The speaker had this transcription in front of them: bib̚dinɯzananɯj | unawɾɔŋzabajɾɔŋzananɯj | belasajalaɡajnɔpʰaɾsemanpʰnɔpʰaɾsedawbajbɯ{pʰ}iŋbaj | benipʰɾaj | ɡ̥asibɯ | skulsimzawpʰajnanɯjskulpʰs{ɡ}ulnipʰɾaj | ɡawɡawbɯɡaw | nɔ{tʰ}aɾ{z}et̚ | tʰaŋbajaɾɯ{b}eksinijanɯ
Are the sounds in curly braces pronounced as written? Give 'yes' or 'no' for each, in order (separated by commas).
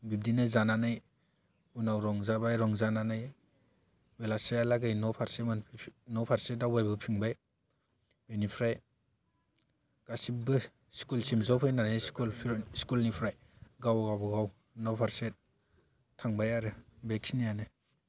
yes, no, no, no, yes